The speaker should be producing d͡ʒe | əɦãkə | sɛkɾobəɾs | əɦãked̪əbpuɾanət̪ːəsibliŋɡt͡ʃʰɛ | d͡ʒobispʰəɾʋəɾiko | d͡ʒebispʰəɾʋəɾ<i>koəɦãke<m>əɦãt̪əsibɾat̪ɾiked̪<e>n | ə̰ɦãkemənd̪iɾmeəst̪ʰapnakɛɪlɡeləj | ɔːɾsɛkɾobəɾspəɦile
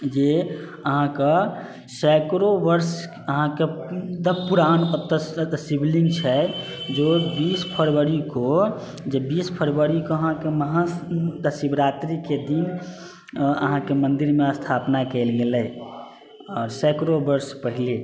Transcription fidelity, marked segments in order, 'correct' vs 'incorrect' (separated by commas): correct, correct, incorrect